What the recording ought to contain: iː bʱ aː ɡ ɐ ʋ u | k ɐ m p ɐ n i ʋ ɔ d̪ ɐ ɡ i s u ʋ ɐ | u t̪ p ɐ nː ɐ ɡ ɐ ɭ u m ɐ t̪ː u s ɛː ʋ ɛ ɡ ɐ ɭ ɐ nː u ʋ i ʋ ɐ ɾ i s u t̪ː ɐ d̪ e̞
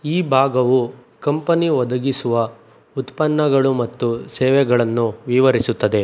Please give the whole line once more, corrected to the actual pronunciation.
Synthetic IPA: iː bʱ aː ɡ ɐ ʋ u | k ɐ m p ɐ n i ʋ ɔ d̪ ɐ ɡ i s u ʋ ɐ | u t̪ p ɐ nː ɐ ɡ ɐ ɭ u m ɐ t̪ː u s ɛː ʋ ɛ ɡ ɐ ɭ ɐ nː u ʋ i ʋ ɐ ɾ i s u t̪ː ɐ d̪ e̞